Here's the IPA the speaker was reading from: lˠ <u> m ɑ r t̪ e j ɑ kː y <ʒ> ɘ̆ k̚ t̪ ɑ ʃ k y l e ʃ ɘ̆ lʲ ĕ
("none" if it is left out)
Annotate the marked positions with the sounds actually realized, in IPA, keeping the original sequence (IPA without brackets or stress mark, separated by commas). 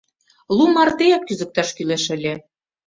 u, z